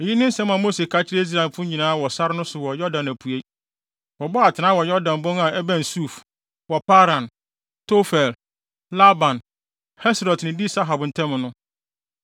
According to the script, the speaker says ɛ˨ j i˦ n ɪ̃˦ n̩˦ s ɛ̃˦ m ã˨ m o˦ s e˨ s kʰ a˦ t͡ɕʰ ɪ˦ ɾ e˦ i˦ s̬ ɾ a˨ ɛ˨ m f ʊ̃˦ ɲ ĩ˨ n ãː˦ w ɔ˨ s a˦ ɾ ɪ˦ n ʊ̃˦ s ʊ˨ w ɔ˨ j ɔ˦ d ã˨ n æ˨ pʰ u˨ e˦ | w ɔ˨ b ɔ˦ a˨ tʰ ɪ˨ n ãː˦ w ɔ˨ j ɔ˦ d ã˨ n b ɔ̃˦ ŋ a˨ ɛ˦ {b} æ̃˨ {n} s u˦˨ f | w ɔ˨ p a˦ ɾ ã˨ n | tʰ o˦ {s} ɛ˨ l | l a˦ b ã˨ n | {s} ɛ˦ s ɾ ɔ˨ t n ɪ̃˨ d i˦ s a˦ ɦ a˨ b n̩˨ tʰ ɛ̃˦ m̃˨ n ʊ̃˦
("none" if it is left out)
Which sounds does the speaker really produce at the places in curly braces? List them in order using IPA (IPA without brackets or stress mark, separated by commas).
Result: b, n, f, h